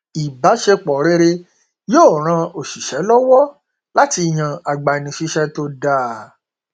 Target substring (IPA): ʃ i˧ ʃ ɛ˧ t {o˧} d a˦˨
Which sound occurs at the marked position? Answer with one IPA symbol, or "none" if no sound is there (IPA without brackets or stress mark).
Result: o˧